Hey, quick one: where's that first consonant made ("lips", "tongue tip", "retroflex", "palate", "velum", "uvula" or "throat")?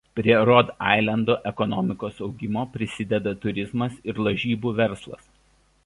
lips